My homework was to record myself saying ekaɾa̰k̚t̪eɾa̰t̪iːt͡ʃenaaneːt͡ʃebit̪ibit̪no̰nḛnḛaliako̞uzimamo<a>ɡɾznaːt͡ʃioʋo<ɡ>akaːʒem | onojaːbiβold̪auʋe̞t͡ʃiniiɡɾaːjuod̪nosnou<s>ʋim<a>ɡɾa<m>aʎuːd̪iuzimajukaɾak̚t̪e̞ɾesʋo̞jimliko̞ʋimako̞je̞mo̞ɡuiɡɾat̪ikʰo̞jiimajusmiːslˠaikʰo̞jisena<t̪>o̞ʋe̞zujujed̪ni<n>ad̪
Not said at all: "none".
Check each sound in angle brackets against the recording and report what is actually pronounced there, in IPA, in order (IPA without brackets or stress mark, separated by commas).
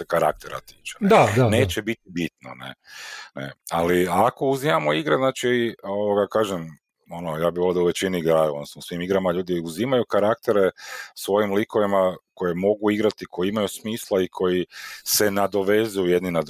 i, ɡ, s, i, m, d̪, n